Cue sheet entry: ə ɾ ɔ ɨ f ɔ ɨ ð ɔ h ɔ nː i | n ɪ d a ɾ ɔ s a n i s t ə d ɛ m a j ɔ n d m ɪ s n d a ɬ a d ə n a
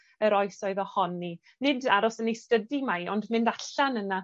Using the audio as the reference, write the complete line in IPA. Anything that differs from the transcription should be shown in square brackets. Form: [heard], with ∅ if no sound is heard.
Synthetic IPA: ə ɾ ɔ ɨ [s] ɔ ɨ ð ɔ h ɔ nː i | n ɪ d a ɾ ɔ s [ə] n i s t ə d [i] m a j ɔ n d m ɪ [∅] n d a ɬ a [n] ə n a